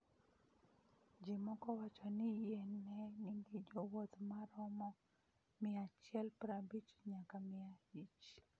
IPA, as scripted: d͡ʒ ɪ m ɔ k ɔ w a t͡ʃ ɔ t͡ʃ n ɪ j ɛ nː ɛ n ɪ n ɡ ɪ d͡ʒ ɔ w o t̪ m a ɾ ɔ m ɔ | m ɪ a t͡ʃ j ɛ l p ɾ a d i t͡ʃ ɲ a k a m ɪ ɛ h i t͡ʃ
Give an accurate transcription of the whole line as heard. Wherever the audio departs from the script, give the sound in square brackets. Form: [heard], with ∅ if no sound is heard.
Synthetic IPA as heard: d͡ʒ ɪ m ɔ k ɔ w a t͡ʃ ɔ [∅] n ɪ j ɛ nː ɛ n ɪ [ŋ] ɡ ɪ d͡ʒ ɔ w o t̪ m a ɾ ɔ m ɔ | m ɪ a t͡ʃ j ɛ l p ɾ a [b] i t͡ʃ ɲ a k a m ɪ [a] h i t͡ʃ

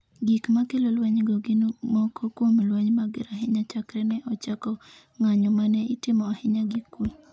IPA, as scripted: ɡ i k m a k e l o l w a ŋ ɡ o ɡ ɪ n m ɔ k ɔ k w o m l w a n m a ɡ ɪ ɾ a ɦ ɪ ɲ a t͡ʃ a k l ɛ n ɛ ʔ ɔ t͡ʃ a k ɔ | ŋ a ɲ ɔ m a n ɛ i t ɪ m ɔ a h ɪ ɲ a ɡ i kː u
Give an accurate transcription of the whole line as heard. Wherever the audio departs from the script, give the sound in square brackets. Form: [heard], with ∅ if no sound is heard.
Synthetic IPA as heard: ɡ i k m a k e l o l w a [ɲ] ɡ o ɡ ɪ n m ɔ k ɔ k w o m l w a [ɲ] m a ɡ ɪ ɾ a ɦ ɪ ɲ a t͡ʃ a k [ɾ] ɛ n ɛ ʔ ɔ t͡ʃ a k ɔ | ŋ a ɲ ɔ m a n ɛ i t ɪ m ɔ a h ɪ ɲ a ɡ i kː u

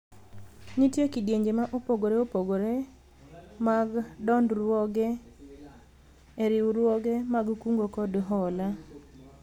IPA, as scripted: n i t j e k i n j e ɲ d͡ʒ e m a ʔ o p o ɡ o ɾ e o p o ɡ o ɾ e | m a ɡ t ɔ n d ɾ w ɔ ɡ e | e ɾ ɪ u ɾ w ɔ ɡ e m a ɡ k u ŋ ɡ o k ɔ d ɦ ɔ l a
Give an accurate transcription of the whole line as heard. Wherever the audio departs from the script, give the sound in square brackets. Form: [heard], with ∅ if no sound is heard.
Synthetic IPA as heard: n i t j e k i [d] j e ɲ d͡ʒ e m a ʔ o p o ɡ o ɾ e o p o ɡ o ɾ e | m a ɡ [d] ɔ n d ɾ w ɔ ɡ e | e ɾ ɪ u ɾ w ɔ ɡ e m a ɡ k u ŋ ɡ o k ɔ d ɦ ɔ l a

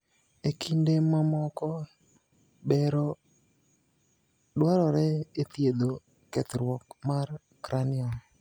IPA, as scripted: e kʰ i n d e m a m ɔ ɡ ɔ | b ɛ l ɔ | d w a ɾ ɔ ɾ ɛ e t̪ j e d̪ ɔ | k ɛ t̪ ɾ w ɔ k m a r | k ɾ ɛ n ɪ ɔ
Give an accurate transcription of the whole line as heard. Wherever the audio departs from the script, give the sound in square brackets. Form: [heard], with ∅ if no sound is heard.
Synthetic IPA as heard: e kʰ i n d e m a m ɔ [k] ɔ | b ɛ [ɾ] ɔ | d w a ɾ ɔ ɾ ɛ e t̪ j e d̪ [o] | k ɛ t̪ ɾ w ɔ k m a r | k ɾ [a] n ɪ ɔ

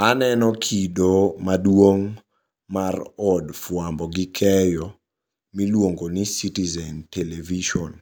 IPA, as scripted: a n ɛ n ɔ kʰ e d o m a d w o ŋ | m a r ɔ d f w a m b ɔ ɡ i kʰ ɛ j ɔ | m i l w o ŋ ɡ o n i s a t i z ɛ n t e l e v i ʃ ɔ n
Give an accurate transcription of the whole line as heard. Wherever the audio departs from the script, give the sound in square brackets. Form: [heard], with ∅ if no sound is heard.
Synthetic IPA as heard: a n ɛ n ɔ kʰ [i] d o m a d w o ŋ | m a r ɔ d f w a m b ɔ ɡ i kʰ ɛ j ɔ | m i l w o ŋ ɡ o n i s [i] t i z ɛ n t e l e v i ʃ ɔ n

